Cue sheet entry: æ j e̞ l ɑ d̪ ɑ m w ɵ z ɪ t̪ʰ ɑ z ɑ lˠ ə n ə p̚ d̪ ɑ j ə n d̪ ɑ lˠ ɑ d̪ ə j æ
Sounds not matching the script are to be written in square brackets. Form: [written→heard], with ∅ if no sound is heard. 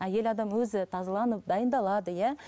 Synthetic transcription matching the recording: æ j e̞ l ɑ d̪ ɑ m w ɵ z ɪ t̪ʰ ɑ z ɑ lˠ [ə→ɑ] n ə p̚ d̪ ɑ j ə n d̪ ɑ lˠ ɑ d̪ ə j æ